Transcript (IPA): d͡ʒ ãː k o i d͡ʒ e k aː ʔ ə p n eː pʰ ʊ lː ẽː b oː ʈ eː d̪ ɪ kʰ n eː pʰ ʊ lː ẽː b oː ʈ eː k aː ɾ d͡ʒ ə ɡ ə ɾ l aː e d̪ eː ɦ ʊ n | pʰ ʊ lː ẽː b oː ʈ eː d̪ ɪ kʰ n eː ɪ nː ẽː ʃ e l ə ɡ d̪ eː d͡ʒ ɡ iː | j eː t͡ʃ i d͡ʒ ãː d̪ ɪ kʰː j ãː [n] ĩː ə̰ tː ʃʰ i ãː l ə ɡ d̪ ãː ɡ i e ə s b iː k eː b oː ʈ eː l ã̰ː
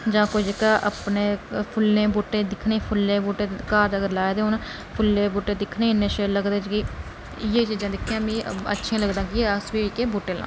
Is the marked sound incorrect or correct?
incorrect